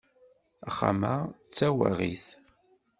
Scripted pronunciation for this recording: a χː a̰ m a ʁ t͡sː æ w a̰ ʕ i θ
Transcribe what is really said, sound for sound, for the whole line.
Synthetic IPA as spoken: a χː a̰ m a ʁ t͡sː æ w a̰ ʁ i θ